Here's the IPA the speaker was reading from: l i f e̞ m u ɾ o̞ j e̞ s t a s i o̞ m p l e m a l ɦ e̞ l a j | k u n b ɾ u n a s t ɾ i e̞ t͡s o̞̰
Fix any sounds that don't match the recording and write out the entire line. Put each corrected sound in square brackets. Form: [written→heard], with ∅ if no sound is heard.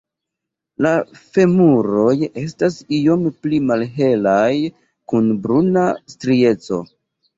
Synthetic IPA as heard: l [i→a] f e̞ m u ɾ o̞ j e̞ s t a s i o̞ m p l [e→i] m a l ɦ e̞ l a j | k u n b ɾ u n a s t ɾ i e̞ t͡s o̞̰